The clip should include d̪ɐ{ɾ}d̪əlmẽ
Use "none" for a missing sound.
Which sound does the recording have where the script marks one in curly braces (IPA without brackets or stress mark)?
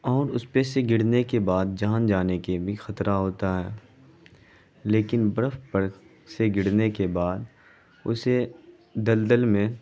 l